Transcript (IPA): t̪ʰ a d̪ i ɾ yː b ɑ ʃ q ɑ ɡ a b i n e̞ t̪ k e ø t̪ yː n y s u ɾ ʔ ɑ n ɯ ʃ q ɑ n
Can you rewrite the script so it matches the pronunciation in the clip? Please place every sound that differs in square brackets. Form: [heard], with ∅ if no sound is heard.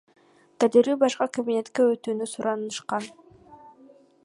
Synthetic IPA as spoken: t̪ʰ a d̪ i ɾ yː b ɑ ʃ q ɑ [k] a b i n e̞ t̪ k e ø t̪ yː n y s u ɾ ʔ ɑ n ɯ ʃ q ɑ n